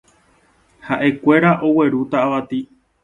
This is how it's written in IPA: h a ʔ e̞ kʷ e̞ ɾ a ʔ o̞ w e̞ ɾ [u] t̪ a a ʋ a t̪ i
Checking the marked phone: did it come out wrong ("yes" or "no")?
no